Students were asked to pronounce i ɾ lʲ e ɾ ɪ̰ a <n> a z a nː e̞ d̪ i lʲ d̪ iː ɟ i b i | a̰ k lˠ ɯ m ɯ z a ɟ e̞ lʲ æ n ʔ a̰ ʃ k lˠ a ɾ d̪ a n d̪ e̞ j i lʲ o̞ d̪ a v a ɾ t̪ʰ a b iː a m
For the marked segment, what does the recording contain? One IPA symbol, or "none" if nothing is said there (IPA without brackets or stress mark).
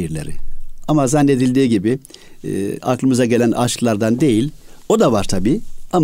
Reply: m